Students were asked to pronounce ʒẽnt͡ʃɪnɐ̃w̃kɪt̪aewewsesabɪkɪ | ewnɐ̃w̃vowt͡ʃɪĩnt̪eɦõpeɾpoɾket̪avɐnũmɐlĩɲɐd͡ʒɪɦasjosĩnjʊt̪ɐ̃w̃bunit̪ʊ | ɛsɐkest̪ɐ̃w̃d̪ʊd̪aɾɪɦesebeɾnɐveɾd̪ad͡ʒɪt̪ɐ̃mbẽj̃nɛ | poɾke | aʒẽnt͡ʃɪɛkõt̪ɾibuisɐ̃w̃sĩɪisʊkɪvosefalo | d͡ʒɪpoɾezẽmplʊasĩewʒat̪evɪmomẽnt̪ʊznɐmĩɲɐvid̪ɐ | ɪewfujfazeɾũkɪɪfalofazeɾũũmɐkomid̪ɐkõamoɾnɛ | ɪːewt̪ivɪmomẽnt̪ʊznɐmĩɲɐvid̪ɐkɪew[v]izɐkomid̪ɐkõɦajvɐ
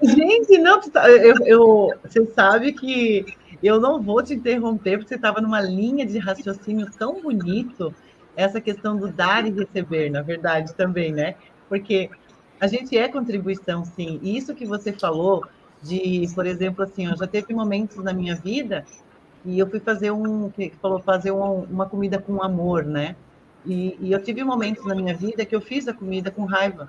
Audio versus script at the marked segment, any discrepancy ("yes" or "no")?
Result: yes